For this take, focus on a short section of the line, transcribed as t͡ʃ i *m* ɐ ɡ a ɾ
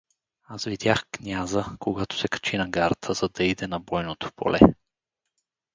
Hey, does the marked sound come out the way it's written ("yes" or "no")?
no